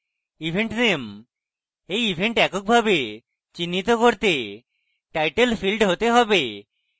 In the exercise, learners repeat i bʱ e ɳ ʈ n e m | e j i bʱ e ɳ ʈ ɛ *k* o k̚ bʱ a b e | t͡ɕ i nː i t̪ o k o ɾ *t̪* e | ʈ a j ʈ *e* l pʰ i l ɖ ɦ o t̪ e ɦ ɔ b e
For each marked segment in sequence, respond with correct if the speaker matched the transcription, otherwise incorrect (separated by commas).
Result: correct, correct, correct